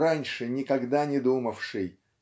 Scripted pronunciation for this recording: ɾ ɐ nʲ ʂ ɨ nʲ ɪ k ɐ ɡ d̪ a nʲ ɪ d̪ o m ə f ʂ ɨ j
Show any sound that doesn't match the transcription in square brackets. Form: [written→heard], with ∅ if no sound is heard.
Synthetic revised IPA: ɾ [ɐ→a] nʲ ʂ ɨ nʲ ɪ k ɐ ɡ d̪ a nʲ ɪ d̪ [o→u] m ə f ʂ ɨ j